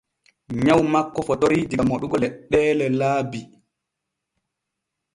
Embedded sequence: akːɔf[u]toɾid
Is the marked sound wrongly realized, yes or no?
yes